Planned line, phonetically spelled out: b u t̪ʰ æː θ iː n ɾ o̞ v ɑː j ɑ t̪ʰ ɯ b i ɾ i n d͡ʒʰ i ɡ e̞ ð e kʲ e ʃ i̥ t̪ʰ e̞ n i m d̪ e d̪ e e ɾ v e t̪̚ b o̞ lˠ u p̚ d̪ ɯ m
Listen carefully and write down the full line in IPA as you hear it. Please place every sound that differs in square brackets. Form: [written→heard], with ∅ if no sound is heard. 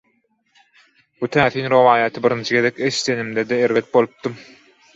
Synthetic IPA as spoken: b u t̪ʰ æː θ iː n ɾ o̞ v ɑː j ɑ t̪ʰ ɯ b i ɾ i n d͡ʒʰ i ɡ e̞ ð e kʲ e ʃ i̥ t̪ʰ e̞ n i m d̪ e d̪ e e ɾ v e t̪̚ b o̞ lˠ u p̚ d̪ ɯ m